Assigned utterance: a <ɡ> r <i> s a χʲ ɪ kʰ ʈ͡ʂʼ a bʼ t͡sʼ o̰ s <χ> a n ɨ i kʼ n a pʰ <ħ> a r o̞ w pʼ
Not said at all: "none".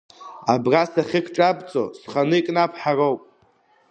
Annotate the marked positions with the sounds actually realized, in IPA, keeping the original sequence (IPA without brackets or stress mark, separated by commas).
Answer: b, a, χ, ħ